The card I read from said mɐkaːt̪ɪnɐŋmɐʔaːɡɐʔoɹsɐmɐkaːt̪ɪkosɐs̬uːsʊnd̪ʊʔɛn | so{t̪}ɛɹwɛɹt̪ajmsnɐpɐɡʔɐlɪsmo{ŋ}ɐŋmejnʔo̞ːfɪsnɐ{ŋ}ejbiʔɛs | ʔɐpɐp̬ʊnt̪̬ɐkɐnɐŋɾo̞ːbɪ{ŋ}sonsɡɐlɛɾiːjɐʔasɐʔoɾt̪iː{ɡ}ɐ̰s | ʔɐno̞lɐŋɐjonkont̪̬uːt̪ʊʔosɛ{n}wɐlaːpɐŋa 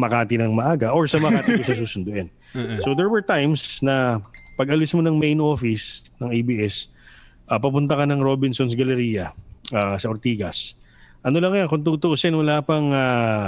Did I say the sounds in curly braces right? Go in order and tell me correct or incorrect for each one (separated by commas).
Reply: incorrect, incorrect, correct, incorrect, correct, correct